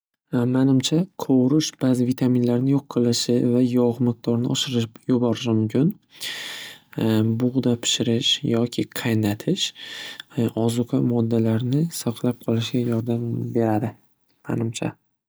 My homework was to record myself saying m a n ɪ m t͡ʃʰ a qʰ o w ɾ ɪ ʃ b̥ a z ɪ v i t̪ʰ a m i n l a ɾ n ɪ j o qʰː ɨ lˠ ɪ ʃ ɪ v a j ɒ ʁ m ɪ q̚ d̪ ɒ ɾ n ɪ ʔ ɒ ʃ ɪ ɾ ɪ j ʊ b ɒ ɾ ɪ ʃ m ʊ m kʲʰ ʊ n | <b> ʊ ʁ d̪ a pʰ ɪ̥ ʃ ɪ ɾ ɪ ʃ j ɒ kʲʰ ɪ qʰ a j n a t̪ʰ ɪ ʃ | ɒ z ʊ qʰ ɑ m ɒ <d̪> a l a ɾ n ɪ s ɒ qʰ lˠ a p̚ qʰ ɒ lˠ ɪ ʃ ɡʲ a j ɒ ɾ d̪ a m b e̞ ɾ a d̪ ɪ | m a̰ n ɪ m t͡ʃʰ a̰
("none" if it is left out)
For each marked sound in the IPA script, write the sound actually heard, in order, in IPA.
b, d̪ː

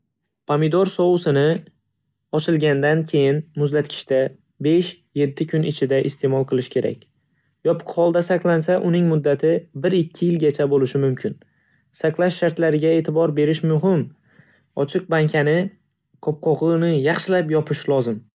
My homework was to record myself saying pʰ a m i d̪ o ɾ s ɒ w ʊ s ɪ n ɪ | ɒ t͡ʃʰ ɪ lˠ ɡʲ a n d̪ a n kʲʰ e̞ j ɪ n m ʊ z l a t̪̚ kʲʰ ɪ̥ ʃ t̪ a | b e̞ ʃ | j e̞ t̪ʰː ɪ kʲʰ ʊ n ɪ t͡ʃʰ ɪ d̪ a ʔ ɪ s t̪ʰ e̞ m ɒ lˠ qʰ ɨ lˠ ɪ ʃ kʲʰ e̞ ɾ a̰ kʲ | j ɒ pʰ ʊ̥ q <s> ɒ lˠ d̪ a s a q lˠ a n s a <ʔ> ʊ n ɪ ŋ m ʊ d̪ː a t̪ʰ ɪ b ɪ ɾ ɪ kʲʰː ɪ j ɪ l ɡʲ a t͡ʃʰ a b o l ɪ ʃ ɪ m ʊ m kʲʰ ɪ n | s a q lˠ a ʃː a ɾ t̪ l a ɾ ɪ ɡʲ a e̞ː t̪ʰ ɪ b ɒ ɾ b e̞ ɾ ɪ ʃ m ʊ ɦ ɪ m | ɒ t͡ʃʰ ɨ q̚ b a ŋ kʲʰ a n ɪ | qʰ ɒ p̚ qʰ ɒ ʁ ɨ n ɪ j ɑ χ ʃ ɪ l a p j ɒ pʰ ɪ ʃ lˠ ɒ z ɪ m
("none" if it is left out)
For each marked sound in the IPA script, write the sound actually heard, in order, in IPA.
h, ʔ

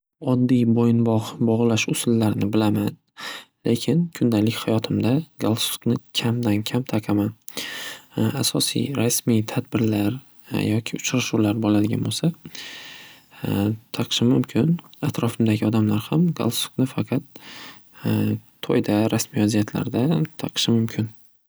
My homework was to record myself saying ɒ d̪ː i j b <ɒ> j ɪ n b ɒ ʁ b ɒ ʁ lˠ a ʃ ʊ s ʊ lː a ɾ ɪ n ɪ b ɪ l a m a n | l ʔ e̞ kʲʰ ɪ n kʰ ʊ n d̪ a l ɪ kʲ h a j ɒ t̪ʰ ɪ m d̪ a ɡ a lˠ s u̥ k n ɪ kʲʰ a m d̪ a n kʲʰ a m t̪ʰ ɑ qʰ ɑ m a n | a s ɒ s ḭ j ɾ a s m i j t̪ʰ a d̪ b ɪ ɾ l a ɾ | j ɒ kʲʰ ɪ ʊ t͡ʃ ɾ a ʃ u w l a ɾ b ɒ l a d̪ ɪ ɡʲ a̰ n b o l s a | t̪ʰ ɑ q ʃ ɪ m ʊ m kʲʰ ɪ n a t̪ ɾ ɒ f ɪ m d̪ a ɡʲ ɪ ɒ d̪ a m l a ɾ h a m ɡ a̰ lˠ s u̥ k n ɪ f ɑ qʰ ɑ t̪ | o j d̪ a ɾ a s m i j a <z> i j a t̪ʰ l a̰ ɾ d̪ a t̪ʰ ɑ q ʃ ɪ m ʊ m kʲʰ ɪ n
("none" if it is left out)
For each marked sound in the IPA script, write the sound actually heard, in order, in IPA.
o, z

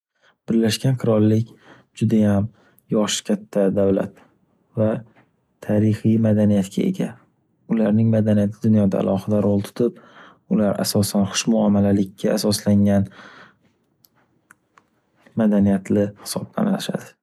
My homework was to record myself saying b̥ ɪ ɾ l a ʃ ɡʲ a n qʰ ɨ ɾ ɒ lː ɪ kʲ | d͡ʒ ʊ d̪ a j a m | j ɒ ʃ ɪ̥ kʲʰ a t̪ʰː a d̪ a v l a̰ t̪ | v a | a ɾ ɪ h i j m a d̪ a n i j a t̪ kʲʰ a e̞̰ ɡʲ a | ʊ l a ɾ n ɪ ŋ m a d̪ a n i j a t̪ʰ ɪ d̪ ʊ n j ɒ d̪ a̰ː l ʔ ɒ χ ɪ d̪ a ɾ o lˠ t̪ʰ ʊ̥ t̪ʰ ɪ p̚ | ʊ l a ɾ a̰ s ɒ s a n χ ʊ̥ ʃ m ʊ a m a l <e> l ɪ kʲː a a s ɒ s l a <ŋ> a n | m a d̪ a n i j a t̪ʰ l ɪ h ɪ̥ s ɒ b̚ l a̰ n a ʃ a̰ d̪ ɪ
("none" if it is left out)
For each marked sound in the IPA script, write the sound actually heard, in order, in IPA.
a, ŋ

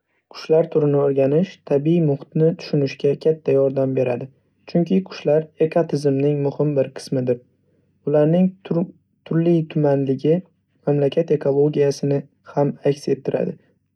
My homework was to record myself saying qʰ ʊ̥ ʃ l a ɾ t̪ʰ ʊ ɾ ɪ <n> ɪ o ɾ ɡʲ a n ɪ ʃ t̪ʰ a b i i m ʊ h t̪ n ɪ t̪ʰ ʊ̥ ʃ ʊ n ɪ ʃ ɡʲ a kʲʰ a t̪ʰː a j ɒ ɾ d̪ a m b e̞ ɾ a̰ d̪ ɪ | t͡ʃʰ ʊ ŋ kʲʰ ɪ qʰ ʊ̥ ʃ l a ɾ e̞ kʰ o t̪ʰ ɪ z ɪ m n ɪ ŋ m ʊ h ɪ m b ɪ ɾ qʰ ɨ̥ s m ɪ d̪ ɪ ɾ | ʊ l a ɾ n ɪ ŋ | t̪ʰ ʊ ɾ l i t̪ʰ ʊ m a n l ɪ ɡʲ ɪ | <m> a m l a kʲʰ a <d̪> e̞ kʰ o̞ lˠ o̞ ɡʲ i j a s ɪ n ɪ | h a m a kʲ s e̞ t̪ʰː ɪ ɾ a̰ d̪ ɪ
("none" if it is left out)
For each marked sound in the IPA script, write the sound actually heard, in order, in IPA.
n, m, t̪

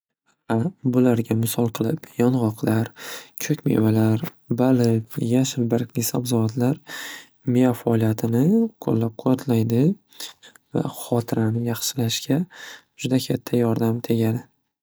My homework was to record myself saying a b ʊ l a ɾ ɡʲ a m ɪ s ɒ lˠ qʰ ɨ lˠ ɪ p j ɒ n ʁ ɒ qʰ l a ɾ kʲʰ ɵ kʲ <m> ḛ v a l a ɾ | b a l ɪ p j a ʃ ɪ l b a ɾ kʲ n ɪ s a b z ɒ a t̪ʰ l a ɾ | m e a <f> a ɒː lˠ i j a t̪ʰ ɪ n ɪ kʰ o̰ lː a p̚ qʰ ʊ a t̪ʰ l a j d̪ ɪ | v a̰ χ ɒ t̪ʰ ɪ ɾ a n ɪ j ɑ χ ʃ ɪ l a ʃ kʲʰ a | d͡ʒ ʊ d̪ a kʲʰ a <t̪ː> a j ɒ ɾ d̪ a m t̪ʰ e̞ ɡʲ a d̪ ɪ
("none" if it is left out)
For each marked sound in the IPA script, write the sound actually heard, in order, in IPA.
m, f, t̪ʰː

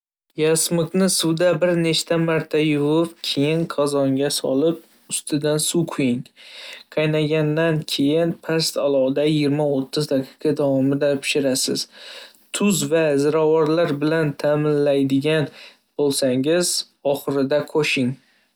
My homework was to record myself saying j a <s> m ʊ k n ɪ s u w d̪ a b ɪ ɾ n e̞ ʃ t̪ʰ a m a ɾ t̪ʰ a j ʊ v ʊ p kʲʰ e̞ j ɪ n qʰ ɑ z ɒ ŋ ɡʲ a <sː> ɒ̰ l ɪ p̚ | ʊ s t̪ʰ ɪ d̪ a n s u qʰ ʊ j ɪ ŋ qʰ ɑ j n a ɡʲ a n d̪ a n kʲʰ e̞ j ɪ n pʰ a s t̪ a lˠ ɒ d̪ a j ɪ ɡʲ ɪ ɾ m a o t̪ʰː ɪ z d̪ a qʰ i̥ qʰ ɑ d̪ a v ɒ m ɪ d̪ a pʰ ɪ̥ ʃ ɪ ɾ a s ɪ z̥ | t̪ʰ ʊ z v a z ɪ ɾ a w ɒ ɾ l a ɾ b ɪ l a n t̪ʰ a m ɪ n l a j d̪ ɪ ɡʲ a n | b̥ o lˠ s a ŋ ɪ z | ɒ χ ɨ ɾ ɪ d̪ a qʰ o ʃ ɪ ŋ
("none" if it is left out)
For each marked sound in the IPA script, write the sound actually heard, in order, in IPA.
s, s

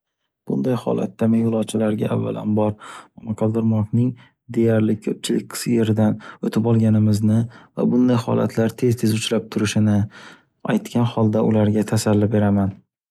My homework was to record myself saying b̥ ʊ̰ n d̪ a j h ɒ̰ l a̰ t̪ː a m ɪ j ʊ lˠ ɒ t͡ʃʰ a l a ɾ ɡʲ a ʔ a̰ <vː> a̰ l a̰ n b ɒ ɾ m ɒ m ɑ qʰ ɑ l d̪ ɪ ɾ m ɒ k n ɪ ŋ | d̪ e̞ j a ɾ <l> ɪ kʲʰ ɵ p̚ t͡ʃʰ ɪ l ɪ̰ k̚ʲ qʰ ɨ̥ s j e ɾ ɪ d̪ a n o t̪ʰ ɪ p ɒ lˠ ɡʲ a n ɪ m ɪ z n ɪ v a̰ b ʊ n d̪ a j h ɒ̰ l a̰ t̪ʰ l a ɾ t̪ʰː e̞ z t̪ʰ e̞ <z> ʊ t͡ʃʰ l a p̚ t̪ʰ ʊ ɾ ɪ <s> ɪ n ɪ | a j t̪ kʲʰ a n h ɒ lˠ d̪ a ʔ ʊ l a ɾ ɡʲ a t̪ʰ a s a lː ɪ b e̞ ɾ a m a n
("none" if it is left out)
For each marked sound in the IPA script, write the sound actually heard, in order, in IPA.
vː, l, z, ʃ

